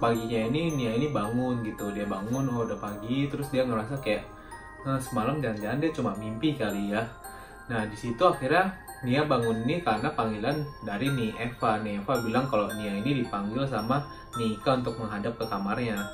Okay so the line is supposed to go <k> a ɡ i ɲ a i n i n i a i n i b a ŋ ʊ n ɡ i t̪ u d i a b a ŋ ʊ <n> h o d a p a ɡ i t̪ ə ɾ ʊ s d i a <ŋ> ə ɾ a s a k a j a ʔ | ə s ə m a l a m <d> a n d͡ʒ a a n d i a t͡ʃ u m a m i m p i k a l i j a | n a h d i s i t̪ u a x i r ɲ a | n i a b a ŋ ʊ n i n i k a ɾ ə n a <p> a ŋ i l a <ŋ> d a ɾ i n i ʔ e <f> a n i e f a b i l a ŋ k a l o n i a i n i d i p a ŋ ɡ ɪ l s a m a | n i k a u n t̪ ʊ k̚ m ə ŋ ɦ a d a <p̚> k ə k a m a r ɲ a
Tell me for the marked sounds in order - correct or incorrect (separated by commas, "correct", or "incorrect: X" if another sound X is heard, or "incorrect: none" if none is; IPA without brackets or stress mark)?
incorrect: p, correct, correct, incorrect: d͡ʒ, correct, incorrect: n, correct, correct